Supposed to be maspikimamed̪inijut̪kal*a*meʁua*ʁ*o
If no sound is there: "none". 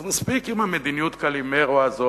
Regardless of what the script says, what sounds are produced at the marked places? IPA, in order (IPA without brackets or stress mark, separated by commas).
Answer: i, z